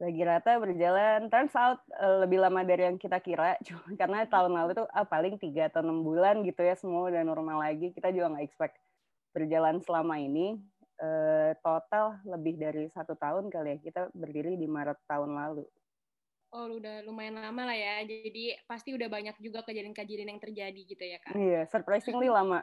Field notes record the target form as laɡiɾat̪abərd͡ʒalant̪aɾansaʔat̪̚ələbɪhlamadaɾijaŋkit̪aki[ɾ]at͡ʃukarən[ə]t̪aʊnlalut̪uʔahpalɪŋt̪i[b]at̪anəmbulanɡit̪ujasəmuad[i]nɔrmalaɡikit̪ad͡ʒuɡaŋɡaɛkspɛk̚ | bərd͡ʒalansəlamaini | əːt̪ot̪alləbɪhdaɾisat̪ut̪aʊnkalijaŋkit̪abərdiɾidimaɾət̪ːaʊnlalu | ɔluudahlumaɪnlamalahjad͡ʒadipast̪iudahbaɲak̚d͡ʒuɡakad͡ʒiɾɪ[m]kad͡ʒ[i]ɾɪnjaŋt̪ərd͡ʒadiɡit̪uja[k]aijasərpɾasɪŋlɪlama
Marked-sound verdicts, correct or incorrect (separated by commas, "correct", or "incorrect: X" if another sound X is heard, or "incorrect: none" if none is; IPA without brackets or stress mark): correct, incorrect: a, incorrect: ɡ, incorrect: a, incorrect: n, correct, correct